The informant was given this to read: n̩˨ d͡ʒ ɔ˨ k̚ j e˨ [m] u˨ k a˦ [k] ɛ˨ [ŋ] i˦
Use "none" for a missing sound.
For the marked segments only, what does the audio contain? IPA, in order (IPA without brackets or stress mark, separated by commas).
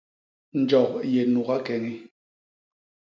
n, k, ŋ